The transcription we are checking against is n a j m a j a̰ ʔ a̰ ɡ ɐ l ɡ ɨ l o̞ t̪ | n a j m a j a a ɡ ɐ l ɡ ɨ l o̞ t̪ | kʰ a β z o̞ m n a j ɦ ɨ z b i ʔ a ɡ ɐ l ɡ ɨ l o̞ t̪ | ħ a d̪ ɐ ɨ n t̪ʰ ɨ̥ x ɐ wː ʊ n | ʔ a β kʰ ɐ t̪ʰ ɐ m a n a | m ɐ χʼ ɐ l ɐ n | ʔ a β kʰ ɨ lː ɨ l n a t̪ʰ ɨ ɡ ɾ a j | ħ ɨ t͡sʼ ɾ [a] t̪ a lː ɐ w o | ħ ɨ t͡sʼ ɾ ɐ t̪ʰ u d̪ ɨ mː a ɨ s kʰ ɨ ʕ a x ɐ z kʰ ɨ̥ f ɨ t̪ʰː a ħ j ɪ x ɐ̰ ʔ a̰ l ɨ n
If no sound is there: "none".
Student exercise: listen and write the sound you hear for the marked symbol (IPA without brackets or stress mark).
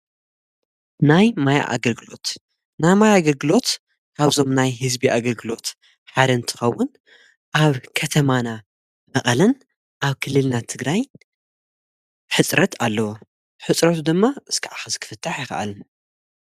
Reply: ɐ